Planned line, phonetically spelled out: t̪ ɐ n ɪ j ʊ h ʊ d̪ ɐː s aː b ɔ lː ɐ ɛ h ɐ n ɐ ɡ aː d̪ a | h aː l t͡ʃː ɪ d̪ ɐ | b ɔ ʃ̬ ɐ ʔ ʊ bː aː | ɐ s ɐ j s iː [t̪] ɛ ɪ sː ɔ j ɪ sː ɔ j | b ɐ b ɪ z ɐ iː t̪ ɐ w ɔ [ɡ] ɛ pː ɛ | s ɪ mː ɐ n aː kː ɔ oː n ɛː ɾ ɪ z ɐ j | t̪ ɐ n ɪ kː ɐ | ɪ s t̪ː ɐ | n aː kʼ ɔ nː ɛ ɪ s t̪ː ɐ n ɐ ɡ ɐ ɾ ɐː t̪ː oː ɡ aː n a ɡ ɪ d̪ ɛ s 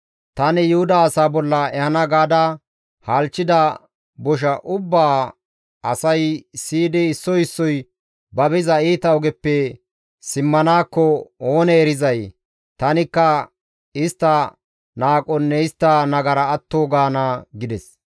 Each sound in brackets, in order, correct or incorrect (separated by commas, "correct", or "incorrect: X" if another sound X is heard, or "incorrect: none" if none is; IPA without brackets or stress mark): incorrect: d̪, correct